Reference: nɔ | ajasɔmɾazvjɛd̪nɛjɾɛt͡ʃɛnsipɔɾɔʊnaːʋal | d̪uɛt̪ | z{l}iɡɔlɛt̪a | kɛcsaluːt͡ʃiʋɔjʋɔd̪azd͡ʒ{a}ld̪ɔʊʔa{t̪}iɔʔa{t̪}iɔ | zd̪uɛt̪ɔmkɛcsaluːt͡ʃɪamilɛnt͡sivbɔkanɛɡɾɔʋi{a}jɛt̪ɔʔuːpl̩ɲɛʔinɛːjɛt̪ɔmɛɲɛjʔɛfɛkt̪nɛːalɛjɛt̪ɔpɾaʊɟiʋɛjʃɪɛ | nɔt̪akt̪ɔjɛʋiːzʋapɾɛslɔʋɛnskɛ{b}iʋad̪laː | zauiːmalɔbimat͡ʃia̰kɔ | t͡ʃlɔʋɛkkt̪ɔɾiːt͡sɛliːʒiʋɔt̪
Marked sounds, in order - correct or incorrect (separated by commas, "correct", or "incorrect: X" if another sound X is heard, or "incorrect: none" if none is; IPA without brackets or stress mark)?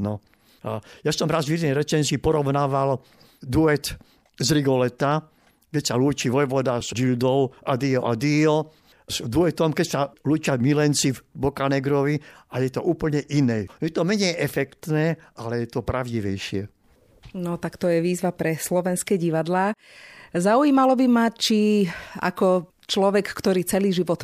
incorrect: ɾ, incorrect: i, incorrect: d̪, incorrect: d̪, correct, incorrect: ɟ